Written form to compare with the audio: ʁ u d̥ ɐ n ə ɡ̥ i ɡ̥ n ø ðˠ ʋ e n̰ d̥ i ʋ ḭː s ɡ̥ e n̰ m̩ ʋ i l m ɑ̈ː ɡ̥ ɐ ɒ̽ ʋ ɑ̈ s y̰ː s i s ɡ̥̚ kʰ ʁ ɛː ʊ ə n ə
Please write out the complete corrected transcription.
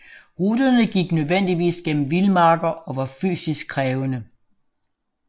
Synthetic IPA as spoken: ʁ u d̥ ɐ n ə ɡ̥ i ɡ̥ n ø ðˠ ʋ e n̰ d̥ i ʋ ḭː s ɡ̥ e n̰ m̩ ʋ i l m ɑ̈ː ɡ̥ ɐ ɒ̽ ʋ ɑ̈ f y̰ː s i s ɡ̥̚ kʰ ʁ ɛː ʊ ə n ə